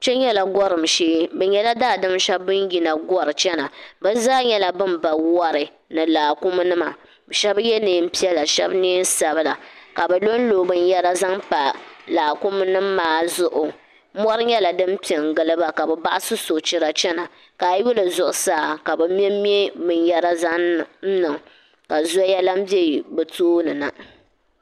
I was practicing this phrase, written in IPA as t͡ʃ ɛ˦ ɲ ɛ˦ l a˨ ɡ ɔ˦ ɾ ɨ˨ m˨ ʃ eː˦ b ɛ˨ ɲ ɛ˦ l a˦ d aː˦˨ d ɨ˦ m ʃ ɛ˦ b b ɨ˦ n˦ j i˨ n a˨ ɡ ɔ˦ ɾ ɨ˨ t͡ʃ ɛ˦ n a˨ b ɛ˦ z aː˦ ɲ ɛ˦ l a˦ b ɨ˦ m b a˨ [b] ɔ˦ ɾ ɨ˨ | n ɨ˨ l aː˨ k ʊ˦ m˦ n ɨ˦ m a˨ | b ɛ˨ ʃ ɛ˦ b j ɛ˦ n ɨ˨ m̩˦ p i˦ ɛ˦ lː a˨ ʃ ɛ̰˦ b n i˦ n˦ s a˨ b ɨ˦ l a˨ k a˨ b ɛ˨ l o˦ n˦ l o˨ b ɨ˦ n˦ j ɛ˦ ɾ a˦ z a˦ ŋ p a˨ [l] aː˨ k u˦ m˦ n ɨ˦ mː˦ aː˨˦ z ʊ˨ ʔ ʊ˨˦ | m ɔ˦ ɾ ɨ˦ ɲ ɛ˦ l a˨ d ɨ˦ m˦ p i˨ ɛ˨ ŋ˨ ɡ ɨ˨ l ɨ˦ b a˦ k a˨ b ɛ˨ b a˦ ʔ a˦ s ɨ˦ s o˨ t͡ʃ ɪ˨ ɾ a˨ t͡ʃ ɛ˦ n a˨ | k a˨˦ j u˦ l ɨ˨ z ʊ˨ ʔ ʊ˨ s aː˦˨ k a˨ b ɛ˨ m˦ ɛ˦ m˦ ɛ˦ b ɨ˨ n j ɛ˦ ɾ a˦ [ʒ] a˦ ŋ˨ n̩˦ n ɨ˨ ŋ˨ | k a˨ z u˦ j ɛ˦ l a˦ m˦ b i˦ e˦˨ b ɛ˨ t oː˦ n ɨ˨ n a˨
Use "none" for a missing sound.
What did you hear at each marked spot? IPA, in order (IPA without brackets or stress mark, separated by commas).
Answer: w, l, z